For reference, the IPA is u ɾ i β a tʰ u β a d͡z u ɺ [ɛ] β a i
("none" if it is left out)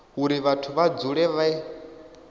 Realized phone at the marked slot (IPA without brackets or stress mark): ɛ